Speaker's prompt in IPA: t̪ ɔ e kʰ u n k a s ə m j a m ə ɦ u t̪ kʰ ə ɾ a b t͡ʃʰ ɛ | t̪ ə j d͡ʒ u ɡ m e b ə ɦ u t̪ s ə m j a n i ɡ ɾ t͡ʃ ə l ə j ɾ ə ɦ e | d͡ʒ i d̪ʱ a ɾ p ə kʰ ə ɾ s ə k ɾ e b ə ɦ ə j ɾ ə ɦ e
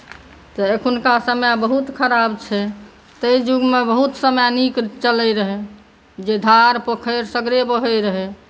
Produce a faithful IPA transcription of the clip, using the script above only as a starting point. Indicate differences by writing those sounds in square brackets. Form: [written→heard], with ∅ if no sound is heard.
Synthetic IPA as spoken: t̪ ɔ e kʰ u n k a s ə m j a [m→b] ə ɦ u t̪ kʰ ə ɾ a b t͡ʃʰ ɛ | t̪ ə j d͡ʒ u ɡ m e b ə ɦ u t̪ s ə m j a n i [ɡ→k] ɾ t͡ʃ ə l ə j ɾ ə ɦ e | d͡ʒ [i→e] d̪ʱ a ɾ p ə kʰ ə ɾ s ə [k→ɡ] ɾ e b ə ɦ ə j ɾ ə ɦ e

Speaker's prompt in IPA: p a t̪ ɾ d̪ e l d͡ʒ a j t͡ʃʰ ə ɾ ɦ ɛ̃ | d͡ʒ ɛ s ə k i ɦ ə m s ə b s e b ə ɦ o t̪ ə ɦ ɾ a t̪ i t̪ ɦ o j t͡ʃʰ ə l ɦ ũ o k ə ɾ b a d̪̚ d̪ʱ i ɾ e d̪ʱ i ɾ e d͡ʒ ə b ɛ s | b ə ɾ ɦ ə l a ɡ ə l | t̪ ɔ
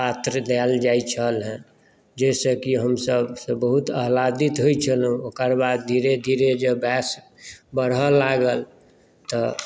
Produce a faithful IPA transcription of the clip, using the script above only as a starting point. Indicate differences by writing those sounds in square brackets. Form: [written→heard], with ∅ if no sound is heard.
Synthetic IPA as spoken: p a t̪ ɾ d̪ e l d͡ʒ a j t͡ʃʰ ə [ɾ→l] ɦ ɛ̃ | d͡ʒ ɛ s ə k i ɦ ə m s ə b s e b ə ɦ [o→u] t̪ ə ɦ [ɾ→l] a [t̪→d̪] i t̪ ɦ o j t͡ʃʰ ə l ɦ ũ o k ə ɾ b a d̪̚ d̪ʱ i ɾ e d̪ʱ i ɾ e d͡ʒ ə b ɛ s | b ə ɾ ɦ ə l a ɡ ə l | t̪ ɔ

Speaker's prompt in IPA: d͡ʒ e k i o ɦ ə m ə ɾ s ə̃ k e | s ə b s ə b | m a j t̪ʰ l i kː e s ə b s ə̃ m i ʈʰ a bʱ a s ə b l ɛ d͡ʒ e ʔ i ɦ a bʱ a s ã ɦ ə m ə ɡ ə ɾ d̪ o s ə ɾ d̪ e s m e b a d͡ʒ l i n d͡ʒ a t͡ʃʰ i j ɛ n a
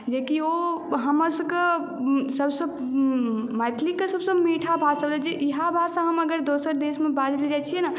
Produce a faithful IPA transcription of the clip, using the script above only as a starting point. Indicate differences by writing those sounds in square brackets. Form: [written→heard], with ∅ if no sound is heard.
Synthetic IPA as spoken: d͡ʒ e k i o ɦ ə m ə ɾ s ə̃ k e | s ə b s ə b | m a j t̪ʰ l i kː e s ə b s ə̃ m i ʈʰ a bʱ a s ə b l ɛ d͡ʒ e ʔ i ɦ a bʱ a s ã ɦ ə m ə ɡ ə ɾ d̪ o s ə ɾ d̪ e s m e b a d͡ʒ l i [n→∅] d͡ʒ a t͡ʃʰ i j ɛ n a

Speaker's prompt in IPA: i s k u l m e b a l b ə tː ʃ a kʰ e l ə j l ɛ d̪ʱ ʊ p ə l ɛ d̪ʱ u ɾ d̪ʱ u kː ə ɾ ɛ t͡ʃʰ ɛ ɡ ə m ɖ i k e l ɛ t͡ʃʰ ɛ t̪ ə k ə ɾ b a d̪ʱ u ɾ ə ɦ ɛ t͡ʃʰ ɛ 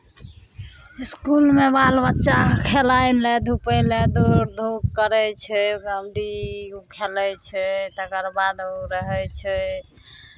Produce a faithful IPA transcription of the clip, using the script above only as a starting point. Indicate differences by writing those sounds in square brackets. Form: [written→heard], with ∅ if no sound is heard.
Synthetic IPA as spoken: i s k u l m e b a l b ə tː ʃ a kʰ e l [ə→a] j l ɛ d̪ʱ [ʊ→u] p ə l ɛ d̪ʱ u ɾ d̪ʱ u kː ə ɾ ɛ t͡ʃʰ ɛ ɡ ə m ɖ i [k→kʰ] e l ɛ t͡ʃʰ ɛ t̪ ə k ə ɾ b a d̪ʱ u ɾ ə ɦ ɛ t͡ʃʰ ɛ

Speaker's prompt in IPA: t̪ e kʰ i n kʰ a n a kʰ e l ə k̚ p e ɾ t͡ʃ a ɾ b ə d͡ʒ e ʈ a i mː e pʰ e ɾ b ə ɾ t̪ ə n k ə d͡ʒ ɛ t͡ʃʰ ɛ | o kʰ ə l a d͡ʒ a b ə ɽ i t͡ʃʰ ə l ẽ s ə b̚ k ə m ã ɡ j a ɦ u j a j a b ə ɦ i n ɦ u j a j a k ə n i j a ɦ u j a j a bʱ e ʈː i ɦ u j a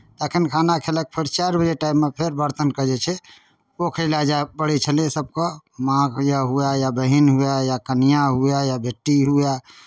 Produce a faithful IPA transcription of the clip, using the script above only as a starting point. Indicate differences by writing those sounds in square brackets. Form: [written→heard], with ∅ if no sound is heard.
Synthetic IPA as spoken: t̪ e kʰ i n kʰ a n a kʰ e l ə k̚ [p→pʰ] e ɾ t͡ʃ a ɾ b ə d͡ʒ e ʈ a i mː e pʰ e ɾ b ə ɾ t̪ ə n k ə d͡ʒ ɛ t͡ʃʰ ɛ | o kʰ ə l a d͡ʒ a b ə ɽ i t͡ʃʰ ə l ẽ s ə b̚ k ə m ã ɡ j a ɦ u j a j a b ə ɦ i n ɦ u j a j a k ə n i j a ɦ u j a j a bʱ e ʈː i ɦ u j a

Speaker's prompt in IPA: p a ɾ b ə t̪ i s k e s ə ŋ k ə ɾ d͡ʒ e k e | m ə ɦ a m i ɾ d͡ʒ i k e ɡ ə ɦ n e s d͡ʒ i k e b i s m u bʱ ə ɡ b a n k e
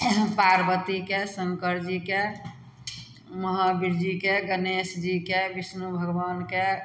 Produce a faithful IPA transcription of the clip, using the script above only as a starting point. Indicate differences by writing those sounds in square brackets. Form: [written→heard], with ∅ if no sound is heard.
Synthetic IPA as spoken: p a ɾ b ə t̪ i [s→∅] k e s ə ŋ k ə ɾ d͡ʒ [e→i] k e | m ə ɦ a [m→b] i ɾ d͡ʒ i k e ɡ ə [ɦ→∅] n e s d͡ʒ i k e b i s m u bʱ ə ɡ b a n k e

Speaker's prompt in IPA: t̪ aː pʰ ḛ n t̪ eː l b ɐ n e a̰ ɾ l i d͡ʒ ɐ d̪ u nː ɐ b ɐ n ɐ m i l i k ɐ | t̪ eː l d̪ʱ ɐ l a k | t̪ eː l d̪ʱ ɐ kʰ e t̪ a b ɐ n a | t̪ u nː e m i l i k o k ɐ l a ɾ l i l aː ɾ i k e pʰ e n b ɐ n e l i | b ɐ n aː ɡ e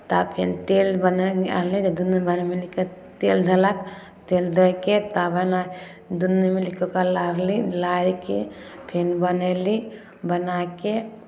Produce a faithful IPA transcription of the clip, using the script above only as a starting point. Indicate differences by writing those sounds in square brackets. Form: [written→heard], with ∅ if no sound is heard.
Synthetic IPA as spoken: t̪ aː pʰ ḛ n t̪ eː l b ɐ n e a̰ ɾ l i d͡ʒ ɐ d̪ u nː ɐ b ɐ n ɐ m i l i k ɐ | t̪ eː l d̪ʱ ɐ l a k | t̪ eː l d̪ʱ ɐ [kʰ→k] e t̪ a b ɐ n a | [t̪→d̪] u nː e m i l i k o k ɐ l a ɾ l i l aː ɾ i k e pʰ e n b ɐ n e l i | b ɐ n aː [ɡ→k] e

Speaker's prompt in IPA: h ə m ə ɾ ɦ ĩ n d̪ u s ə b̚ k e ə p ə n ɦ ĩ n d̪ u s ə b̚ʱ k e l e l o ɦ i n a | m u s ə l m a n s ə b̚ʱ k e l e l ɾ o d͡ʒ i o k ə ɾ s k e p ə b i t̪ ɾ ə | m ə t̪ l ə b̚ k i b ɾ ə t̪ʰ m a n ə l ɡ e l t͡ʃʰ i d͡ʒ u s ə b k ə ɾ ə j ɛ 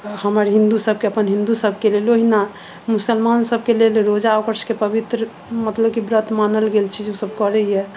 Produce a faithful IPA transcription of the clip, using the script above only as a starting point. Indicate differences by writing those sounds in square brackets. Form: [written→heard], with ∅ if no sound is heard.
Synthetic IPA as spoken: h ə m ə ɾ ɦ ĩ n d̪ u s ə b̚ k e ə p ə n ɦ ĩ n d̪ u s ə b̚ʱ k e l e l o ɦ i n a | m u s ə l m a n s ə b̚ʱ k e l e l ɾ o d͡ʒ [i→a] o k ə ɾ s k e p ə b i t̪ ɾ ə | m ə t̪ l ə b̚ k i b ɾ ə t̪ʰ m a n ə l ɡ e l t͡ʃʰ i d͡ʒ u s ə b k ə ɾ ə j ɛ

